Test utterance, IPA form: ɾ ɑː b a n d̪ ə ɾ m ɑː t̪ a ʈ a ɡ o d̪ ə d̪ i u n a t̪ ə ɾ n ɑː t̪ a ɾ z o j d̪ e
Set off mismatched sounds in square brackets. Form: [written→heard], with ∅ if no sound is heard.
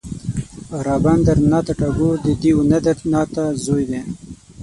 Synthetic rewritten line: ɾ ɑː b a n d̪ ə ɾ [m→n] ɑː t̪ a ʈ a ɡ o d̪ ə d̪ i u n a [t̪→d̪] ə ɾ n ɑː t̪ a [ɾ→∅] z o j d̪ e